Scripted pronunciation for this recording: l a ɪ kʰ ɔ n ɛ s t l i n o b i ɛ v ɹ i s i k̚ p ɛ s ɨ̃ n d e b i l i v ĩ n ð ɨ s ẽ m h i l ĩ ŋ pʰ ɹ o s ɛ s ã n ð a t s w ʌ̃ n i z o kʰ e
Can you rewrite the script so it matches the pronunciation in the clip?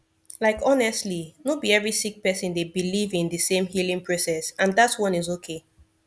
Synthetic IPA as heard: l a ɪ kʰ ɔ n ɛ s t l i n o b i ɛ v ɹ i s i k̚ p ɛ s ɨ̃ n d e b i l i v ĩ n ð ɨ s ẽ m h i l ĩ ŋ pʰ ɹ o s ɛ s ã n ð a t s w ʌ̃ n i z o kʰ e